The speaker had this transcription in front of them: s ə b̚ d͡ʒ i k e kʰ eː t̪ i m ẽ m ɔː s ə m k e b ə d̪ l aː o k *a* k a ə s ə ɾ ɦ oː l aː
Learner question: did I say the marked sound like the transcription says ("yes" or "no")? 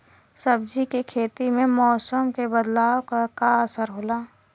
yes